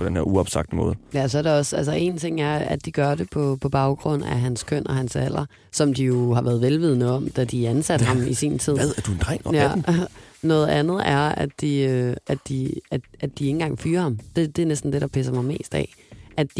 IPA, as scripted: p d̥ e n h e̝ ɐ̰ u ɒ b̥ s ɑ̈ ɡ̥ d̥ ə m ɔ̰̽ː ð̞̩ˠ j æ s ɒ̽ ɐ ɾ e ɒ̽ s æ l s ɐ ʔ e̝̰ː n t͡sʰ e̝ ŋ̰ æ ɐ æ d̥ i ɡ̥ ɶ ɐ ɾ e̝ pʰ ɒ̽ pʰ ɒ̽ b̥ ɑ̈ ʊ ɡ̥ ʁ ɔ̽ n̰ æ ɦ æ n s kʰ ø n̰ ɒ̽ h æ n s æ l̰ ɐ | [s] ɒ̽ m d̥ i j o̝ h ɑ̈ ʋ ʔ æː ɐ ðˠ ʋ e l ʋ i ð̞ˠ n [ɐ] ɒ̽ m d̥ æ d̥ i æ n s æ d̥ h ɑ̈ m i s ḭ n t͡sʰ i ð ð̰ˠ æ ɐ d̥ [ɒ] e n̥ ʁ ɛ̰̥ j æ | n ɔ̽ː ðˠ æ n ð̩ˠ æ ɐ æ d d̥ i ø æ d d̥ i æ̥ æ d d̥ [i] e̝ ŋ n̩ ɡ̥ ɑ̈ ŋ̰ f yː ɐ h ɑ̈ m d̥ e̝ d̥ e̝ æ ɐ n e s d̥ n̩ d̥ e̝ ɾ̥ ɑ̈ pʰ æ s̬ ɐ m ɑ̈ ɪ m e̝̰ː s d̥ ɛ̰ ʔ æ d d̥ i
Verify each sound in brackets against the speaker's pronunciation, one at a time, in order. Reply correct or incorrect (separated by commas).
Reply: correct, incorrect, incorrect, correct